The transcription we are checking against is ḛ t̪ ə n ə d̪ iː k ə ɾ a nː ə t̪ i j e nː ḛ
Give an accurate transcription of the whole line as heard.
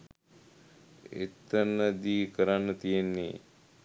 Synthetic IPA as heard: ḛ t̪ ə n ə d̪ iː k ə ɾ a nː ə t̪ i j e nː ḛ